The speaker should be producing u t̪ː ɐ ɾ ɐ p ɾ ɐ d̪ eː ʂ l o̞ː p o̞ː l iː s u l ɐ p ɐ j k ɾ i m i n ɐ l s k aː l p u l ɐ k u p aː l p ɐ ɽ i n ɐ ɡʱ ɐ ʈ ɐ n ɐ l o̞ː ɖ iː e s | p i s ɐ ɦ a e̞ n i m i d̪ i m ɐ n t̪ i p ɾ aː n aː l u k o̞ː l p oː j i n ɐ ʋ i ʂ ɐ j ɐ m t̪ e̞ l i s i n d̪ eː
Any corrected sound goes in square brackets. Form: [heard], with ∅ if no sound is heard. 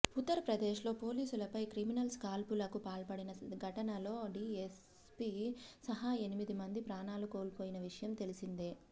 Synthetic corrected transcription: u t̪ː ɐ ɾ ɐ p ɾ ɐ d̪ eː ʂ l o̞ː p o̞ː l iː s u l ɐ p ɐ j k ɾ i m i n ɐ l s k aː l p u l ɐ k u p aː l p ɐ ɽ i n ɐ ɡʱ ɐ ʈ ɐ n ɐ l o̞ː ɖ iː e s | p i s ɐ ɦ a e̞ n i m i d̪ i m ɐ n [d̪] i p ɾ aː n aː l u k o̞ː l p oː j i n ɐ ʋ i ʂ ɐ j ɐ m t̪ e̞ l i s i n d̪ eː